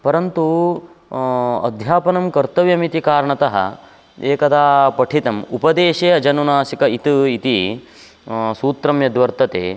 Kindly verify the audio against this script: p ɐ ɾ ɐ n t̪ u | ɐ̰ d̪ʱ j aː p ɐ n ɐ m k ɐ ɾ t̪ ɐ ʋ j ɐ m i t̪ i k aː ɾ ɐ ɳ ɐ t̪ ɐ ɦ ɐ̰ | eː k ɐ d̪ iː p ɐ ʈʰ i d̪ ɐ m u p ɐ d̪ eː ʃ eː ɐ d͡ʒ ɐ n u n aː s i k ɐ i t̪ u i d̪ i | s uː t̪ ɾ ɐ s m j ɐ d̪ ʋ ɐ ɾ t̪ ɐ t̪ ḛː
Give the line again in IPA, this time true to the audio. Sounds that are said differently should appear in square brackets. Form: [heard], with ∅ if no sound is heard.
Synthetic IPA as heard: p ɐ ɾ ɐ n t̪ u | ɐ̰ d̪ʱ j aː p ɐ n ɐ m k ɐ ɾ t̪ ɐ ʋ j ɐ m i t̪ i k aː ɾ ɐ ɳ ɐ t̪ ɐ ɦ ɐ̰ | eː k ɐ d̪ [aː] p ɐ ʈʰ i [t̪] ɐ m u p ɐ d̪ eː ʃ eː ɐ d͡ʒ ɐ n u n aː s i k ɐ i t̪ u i [t̪] i | s uː t̪ ɾ ɐ [∅] m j ɐ d̪ ʋ ɐ ɾ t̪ ɐ t̪ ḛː